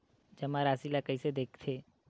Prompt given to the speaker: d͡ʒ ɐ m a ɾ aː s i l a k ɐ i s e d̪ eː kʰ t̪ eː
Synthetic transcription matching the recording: d͡ʒ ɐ m a ɾ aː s i l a k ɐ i s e d̪ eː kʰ t̪ʰ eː